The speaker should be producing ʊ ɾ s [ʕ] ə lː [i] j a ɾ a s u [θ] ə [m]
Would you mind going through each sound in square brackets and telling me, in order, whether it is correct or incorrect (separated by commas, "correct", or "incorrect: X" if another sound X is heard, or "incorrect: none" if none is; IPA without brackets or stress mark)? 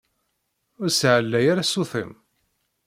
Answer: correct, incorrect: æ, correct, correct